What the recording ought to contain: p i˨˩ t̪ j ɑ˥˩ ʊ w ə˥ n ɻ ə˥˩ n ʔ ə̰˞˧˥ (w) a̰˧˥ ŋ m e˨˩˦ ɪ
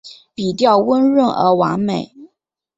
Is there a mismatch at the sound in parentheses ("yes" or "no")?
no